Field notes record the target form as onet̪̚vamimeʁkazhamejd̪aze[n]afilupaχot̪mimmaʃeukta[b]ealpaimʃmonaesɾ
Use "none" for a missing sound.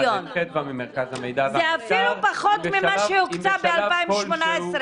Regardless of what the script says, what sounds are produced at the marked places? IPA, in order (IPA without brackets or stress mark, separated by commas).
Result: none, b